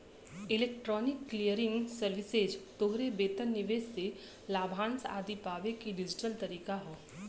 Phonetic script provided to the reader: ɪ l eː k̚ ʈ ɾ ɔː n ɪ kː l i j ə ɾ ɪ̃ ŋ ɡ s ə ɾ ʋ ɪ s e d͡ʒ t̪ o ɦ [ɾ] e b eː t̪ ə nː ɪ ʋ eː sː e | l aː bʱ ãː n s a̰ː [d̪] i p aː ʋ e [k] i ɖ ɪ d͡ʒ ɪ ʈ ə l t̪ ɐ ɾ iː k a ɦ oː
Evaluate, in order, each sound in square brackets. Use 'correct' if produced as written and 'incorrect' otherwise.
correct, correct, correct

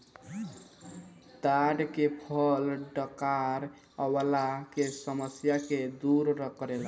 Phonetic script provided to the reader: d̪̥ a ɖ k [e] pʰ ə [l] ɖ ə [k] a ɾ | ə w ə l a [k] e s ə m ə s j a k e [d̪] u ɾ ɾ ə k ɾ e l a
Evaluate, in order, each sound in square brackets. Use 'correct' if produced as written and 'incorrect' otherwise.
correct, correct, correct, correct, correct

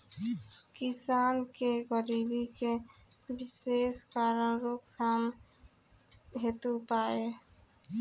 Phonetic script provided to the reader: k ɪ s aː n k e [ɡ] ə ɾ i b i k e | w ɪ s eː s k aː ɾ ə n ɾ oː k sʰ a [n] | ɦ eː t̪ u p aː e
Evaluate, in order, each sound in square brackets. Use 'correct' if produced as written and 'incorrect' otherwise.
correct, incorrect: m

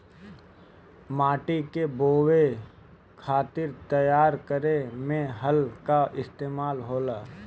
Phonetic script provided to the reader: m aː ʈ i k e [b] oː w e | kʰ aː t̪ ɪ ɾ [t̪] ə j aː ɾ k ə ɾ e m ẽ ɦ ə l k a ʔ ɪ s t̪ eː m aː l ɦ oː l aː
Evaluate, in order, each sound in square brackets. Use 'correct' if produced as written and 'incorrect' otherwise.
correct, correct

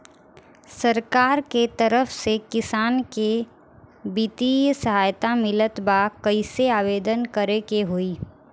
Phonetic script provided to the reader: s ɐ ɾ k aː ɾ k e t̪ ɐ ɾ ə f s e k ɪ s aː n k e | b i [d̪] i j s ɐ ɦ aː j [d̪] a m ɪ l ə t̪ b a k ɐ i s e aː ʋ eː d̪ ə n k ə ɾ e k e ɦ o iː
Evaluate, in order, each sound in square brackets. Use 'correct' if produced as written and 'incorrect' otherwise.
incorrect: t̪, incorrect: t̪

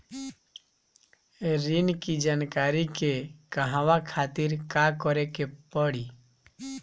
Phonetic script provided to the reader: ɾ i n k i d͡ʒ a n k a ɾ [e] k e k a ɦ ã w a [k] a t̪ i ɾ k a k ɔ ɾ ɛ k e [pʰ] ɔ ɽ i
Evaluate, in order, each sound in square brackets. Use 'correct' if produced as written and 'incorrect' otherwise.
incorrect: i, incorrect: kʰ, incorrect: p

